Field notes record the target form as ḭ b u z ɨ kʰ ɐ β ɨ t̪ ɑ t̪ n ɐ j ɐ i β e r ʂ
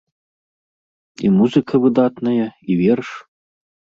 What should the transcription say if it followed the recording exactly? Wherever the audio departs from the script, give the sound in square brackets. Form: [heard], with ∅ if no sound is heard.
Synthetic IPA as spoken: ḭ [m] u z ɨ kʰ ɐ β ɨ [d̪] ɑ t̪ n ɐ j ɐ i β e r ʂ